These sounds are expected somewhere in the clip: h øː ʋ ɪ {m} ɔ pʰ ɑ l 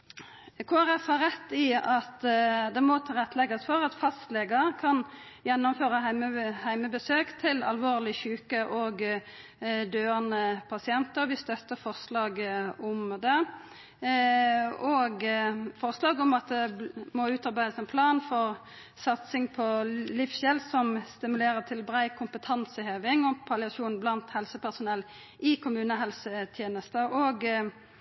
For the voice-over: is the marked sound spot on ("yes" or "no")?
no